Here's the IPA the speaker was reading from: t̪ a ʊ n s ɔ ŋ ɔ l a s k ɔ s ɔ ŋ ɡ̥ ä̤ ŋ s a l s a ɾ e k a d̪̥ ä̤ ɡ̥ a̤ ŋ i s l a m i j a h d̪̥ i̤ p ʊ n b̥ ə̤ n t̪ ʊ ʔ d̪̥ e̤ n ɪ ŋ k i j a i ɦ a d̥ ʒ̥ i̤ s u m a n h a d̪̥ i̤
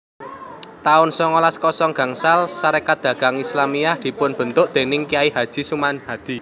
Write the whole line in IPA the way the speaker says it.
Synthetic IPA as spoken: t̪ a ʊ n s ɔ ŋ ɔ l a s k ɔ s ɔ ŋ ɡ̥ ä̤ ŋ s a l s a ɾ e k a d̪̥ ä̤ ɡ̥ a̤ ŋ i s l a m i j a h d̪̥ i̤ p ʊ n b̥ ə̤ n t̪ ʊ ʔ d̪̥ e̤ n ɪ ŋ k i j a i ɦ a d̥ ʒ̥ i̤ s u m a n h a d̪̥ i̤